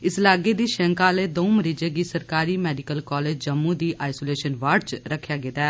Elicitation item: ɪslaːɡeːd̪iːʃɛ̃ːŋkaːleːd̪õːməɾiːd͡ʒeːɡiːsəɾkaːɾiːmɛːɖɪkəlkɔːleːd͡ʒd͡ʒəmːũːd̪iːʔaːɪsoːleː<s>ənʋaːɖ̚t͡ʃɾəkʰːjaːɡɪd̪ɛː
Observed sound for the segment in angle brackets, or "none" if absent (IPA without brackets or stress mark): ʃ